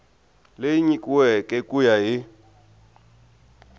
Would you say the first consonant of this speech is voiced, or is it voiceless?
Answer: voiced